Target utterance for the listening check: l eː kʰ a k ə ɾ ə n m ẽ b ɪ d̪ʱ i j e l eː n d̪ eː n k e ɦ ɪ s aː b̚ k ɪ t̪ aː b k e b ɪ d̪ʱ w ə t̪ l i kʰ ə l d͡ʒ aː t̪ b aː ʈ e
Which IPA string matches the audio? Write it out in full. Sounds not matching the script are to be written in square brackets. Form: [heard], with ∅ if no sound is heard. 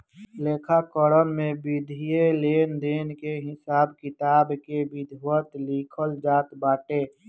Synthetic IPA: l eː kʰ a k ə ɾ ə n m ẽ b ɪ d̪ʱ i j e l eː n d̪ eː n k e ɦ ɪ s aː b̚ k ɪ t̪ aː b k e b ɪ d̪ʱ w ə t̪ l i kʰ ə l d͡ʒ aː t̪ b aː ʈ e